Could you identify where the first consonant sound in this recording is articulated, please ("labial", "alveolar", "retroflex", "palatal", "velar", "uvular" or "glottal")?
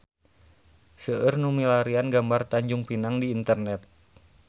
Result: alveolar